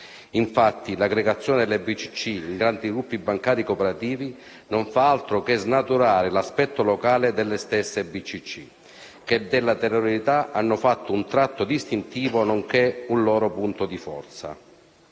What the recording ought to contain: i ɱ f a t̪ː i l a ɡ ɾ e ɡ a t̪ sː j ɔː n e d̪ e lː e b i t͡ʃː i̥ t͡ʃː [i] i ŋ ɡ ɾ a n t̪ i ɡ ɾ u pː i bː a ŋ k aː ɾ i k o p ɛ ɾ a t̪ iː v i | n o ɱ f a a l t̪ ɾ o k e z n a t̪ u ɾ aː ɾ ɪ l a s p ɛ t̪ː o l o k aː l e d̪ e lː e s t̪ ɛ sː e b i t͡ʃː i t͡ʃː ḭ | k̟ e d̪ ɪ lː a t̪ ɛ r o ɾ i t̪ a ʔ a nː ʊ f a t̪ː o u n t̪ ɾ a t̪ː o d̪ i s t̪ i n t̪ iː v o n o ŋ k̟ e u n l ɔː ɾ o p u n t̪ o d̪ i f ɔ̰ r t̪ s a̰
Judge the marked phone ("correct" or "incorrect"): correct